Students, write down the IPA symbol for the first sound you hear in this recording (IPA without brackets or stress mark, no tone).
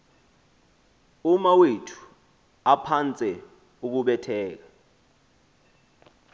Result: u